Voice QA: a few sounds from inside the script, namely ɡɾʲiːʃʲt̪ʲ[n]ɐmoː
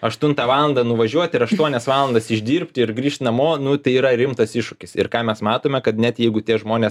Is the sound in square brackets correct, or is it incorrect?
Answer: correct